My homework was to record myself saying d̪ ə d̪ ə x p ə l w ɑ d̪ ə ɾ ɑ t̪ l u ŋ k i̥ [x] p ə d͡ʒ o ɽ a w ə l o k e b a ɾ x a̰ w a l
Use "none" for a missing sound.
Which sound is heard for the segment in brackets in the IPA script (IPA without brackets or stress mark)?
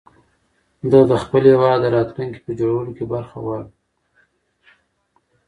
none